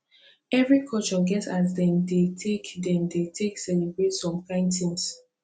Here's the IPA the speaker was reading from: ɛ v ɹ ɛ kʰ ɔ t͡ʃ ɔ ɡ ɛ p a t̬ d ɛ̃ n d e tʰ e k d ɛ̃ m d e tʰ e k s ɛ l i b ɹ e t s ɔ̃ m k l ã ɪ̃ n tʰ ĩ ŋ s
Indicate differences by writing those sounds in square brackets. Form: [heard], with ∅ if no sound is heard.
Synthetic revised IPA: ɛ v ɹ [i] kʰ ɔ t͡ʃ ɔ ɡ ɛ [t] a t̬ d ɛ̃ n d e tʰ e k d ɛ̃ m d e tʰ e k s ɛ l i b ɹ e t s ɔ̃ m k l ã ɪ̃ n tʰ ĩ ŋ s